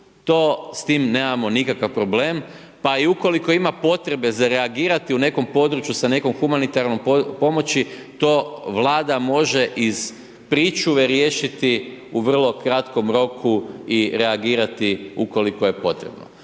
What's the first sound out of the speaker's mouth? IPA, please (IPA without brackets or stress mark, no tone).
t̪